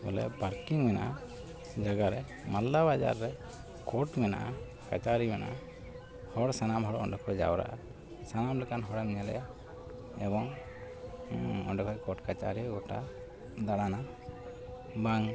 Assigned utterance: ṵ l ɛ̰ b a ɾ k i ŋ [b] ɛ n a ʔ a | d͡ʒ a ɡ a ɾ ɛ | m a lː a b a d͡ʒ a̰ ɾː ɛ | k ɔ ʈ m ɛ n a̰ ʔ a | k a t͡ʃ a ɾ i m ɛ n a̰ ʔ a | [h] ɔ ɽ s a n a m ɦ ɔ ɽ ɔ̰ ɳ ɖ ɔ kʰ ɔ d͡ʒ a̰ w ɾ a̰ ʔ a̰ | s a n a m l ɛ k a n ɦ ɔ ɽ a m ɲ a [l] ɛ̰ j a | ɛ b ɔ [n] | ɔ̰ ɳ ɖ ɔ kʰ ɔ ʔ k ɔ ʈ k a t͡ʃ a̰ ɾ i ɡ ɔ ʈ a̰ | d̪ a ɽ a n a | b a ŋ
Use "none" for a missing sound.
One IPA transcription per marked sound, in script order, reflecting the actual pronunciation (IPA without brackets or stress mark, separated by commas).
m, h, l, ŋ